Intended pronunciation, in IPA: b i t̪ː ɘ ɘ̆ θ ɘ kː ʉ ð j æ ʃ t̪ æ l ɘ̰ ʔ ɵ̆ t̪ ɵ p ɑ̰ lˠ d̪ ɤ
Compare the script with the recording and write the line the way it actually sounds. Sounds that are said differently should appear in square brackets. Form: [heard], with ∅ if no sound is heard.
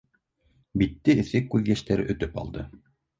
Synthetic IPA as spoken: b i t̪ː ɘ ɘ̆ θ ɘ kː ʉ ð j æ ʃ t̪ æ [ɾ] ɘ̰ ʔ ɵ̆ t̪ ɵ p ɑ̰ lˠ d̪ ɤ